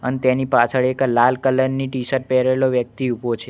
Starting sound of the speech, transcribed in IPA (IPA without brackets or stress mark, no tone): ə